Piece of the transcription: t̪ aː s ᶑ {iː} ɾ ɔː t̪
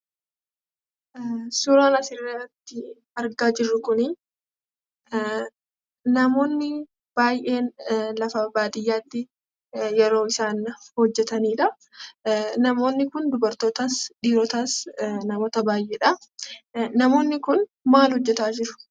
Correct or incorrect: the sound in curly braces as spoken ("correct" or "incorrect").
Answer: correct